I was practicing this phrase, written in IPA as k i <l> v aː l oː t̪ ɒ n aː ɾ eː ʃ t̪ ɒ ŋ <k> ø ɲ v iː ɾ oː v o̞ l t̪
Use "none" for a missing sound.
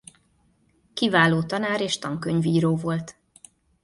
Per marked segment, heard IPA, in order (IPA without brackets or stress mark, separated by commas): none, k